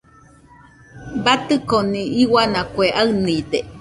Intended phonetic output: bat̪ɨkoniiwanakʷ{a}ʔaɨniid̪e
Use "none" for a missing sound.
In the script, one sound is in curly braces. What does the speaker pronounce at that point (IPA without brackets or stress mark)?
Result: e